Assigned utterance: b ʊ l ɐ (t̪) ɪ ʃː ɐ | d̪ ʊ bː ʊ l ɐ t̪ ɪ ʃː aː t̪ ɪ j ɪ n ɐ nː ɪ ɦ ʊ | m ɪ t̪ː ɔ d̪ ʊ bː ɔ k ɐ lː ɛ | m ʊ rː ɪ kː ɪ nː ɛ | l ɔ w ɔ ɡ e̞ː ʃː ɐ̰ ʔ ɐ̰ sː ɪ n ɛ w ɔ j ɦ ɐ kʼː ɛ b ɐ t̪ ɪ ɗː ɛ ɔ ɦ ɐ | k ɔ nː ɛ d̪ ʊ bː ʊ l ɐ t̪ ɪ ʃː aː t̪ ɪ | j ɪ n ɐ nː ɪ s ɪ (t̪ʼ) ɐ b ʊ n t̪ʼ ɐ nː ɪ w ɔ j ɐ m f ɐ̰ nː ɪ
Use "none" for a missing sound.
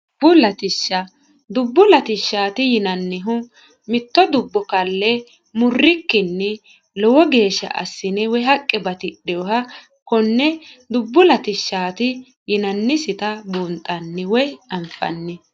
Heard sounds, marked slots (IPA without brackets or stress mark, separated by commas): t̪, t̪